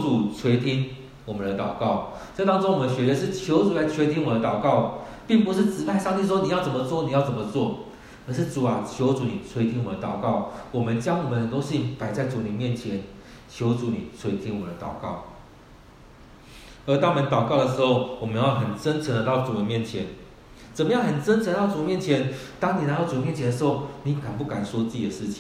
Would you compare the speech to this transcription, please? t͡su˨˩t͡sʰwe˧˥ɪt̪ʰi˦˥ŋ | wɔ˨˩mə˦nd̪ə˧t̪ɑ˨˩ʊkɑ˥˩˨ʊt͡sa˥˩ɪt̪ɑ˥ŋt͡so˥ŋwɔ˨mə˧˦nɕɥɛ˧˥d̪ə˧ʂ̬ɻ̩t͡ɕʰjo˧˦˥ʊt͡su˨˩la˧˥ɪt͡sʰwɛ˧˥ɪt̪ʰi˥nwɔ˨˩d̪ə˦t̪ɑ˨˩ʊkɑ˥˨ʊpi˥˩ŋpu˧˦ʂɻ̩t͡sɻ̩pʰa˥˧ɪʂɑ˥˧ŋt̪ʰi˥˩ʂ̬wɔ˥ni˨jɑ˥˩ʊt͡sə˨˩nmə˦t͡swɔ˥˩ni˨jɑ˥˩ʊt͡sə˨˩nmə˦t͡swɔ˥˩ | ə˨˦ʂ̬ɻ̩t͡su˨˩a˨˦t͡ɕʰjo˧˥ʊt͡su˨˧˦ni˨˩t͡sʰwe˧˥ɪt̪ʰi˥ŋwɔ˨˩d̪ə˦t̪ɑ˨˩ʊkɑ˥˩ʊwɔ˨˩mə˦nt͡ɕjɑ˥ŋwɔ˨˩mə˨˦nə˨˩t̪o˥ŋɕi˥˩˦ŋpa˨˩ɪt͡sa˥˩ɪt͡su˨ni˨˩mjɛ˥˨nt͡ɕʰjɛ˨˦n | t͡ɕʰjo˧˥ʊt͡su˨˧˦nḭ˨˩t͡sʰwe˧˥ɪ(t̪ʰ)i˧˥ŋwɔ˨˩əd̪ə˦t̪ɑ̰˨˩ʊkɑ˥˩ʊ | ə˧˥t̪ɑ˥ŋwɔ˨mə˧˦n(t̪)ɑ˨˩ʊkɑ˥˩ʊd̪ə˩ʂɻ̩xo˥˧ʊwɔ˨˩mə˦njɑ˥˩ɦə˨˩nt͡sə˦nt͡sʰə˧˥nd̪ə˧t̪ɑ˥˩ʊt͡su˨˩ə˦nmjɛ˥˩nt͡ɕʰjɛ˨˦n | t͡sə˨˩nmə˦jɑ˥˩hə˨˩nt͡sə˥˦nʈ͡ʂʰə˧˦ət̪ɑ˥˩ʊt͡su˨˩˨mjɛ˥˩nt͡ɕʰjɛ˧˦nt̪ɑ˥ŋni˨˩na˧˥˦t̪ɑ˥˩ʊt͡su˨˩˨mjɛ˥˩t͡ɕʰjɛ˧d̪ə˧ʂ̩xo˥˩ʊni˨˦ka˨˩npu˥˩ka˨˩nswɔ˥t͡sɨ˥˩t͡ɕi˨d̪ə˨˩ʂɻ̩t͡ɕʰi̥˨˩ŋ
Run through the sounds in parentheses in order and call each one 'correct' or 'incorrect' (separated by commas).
correct, correct